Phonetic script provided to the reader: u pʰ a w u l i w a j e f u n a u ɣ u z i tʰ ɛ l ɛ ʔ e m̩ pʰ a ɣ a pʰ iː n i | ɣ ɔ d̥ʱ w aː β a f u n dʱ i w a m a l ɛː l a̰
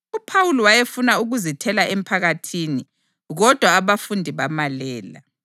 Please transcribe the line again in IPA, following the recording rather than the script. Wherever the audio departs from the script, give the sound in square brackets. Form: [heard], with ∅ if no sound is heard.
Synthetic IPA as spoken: u pʰ a w u l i w a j e f u n a u ɣ u z i tʰ ɛ l [a] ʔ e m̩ pʰ a ɣ a [tʰ] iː n i | ɣ ɔ d̥ʱ w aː β a f u n dʱ i [β] a m a l ɛː l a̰